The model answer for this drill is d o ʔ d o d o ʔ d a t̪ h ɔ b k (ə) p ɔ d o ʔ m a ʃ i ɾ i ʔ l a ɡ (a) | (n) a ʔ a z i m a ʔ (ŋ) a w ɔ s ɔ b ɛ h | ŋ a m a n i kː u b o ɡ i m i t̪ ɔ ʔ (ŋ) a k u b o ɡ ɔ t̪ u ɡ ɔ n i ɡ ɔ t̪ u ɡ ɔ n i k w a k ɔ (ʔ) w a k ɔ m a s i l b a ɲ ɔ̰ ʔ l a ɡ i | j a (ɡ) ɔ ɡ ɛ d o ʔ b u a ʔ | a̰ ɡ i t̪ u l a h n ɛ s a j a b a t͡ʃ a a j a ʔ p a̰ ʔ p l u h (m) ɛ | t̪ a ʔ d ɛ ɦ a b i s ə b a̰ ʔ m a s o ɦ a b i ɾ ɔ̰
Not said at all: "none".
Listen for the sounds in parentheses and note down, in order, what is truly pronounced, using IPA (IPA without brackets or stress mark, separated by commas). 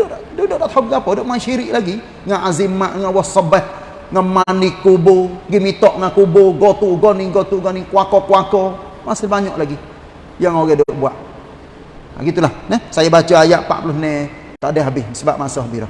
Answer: a, i, ŋ, ŋ, ŋ, k, ŋ, n